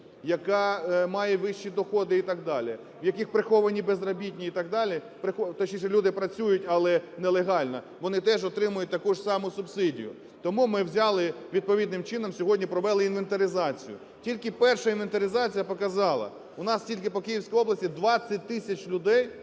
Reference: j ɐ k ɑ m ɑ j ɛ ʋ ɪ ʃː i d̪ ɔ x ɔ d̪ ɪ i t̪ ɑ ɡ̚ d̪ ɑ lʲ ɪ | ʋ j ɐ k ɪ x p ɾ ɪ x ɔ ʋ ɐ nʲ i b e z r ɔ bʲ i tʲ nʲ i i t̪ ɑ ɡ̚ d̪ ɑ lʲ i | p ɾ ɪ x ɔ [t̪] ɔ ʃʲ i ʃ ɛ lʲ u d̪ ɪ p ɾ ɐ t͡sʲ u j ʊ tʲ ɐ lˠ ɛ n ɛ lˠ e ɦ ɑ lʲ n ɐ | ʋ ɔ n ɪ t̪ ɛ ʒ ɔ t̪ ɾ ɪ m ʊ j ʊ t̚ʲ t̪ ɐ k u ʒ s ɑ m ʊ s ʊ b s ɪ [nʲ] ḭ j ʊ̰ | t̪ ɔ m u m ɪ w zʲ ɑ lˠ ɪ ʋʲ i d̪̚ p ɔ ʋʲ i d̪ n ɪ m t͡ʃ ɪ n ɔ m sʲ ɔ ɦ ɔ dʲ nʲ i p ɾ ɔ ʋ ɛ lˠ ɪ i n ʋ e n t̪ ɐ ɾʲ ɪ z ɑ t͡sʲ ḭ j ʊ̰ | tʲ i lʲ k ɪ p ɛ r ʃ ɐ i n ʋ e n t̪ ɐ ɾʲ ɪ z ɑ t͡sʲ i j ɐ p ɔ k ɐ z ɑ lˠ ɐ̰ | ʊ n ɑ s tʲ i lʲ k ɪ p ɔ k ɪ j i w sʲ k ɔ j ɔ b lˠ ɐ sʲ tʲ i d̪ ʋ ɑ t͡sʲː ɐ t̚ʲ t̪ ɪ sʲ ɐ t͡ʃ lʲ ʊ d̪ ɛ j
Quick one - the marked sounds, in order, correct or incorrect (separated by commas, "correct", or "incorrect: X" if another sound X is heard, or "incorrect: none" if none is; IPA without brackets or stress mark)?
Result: correct, incorrect: dʲ